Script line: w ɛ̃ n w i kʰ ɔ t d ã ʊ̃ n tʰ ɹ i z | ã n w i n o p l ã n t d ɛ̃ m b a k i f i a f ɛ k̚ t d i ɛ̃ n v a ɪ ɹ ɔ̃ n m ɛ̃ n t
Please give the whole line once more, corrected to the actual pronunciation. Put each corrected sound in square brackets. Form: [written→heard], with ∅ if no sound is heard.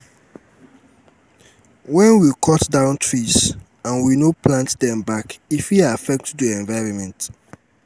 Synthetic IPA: w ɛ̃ n w i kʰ ɔ t d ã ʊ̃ n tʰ ɹ i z | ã n w i n o p l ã n t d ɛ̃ m b a k i f i a f ɛ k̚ t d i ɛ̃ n v a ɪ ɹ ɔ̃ n m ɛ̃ n t

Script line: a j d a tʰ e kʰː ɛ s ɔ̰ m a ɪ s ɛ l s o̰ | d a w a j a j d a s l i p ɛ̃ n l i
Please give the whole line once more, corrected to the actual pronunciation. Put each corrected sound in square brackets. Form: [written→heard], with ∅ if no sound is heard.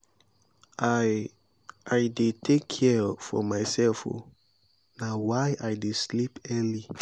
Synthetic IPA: a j d [a→e] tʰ e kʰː ɛ [s→f] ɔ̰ m a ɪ s ɛ l [s→f] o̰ | [d→n] a w a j a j d [a→e] s l i p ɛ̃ n l i

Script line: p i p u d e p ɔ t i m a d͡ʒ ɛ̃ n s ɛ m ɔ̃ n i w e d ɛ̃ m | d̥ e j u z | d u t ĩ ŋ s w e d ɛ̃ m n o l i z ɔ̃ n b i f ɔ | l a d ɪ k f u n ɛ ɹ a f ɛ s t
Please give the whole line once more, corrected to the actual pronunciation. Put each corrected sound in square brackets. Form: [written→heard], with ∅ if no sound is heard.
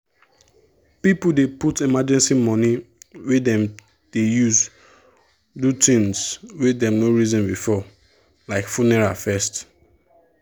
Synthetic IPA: p i p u d e p [ɔ→u] t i m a d͡ʒ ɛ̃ n s [ɛ→i] m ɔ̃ n i w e d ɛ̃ m | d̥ e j u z | d u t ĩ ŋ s w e d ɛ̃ m n o [l→ɹ] i z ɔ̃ n b i f ɔ | l a [d→∅] ɪ k f u n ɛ ɹ a f ɛ s t

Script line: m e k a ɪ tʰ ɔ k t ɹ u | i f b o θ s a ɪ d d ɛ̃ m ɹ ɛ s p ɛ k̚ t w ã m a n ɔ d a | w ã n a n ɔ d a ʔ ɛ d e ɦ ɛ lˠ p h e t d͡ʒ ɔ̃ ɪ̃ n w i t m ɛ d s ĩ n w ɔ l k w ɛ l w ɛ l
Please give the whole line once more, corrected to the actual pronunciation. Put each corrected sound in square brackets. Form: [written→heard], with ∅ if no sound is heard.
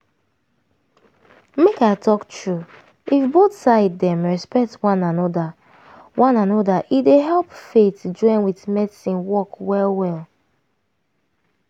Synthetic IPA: m e k a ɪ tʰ ɔ k t ɹ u | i f b o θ s a ɪ d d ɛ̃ m ɹ ɛ s p ɛ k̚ t w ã [m→n] a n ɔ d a | w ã n a n ɔ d a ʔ [ɛ→i] d e ɦ ɛ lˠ p [h→f] e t d͡ʒ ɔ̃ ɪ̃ n w i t m ɛ d s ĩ n w ɔ [l→∅] k w ɛ l w ɛ l

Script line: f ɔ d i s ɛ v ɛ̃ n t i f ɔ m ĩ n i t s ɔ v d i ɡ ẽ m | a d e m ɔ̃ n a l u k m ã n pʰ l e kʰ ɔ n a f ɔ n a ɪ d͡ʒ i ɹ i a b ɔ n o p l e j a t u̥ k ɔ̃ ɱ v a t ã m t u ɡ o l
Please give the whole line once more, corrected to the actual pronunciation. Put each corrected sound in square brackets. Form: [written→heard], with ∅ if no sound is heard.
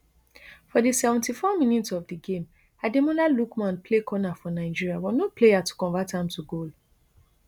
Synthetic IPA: f ɔ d i s ɛ v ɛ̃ n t i f ɔ m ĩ n i t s ɔ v d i ɡ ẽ m | a d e m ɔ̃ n a l u k m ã n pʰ l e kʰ ɔ n a f ɔ n a ɪ d͡ʒ i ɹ i a b ɔ n o p l e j a t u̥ k ɔ̃ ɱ v a t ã m t u ɡ o l

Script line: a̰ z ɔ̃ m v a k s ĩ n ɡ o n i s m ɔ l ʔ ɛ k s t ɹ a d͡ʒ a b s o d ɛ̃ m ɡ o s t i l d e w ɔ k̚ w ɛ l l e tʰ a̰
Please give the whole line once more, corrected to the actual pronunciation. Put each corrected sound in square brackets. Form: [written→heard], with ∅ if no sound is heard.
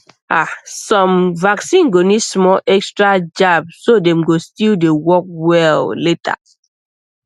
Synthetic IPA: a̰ [z→s] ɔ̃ m v a k s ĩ n ɡ o n i s m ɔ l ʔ ɛ k s t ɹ a d͡ʒ a b s o d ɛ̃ m ɡ o s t i l d e w ɔ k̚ w ɛ l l e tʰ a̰

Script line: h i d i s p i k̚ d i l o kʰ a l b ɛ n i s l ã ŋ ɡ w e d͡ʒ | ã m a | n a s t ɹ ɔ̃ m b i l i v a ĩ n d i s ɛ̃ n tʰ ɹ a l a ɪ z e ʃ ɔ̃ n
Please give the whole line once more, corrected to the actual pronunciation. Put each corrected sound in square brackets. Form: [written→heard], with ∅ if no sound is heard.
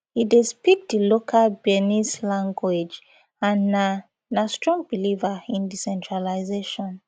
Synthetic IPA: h i d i s p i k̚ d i l o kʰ a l b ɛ n i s l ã ŋ ɡ w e d͡ʒ | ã [m→n] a | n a s t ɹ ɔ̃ [m→ŋ] b i l i v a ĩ n d i s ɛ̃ n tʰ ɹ a l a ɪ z e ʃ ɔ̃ n

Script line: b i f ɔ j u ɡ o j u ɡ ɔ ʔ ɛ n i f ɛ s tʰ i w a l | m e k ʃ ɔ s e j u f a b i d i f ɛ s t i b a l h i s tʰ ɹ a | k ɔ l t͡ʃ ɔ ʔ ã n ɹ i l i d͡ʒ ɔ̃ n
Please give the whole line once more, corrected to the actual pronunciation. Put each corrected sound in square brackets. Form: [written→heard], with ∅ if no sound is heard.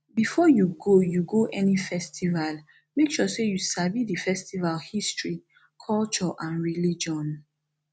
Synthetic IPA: b i f ɔ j u ɡ o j u ɡ [ɔ→o] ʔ ɛ n i f ɛ s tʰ i [w→v] a l | m e k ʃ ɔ s e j u [f→s] a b i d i f ɛ s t i [b→v] a l h i s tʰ ɹ [a→i] | [k→kʰ] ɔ l t͡ʃ ɔ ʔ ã n ɹ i l i d͡ʒ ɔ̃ n

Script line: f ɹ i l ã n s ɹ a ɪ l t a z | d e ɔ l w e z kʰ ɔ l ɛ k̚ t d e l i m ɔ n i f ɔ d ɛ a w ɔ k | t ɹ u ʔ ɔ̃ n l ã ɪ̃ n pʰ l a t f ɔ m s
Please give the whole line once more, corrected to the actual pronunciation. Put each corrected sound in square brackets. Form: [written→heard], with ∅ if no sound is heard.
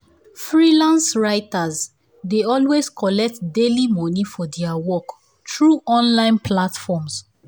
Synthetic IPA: f ɹ i l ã n s ɹ a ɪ [l→∅] t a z | d e ɔ l w e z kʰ ɔ l ɛ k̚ t d e l i m ɔ n i f ɔ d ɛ a w ɔ k | t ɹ u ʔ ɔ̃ n l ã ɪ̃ n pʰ l a t f ɔ m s

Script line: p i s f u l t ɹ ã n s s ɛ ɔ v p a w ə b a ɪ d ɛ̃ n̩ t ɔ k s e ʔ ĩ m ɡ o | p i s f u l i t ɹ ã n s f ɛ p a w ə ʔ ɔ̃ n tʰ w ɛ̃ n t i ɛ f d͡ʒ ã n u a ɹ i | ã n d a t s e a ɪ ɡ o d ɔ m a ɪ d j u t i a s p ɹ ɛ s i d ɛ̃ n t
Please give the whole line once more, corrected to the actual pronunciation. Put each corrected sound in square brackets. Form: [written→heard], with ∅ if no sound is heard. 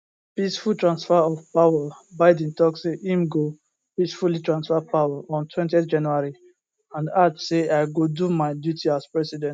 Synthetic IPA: p i s f u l t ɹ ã n s [s→f] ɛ ɔ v p a w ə b a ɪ d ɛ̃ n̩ t ɔ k s e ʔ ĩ m ɡ o | p i s f u l i t ɹ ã n s f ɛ p a w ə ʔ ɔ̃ n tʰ w ɛ̃ n t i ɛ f d͡ʒ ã n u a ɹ i | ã n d a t s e a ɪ ɡ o d [ɔ→u] m a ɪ d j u t i a s p ɹ ɛ s i d ɛ̃ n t

